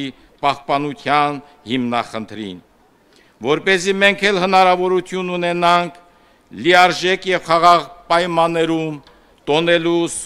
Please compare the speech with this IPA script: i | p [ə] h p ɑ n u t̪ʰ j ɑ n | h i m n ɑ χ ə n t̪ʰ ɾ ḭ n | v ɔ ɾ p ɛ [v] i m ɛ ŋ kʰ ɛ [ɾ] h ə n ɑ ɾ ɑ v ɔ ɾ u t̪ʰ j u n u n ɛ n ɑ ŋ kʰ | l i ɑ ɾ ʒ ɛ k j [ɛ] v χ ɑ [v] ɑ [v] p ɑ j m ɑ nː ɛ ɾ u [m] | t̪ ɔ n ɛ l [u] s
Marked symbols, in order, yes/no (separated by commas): no, no, no, yes, no, no, yes, yes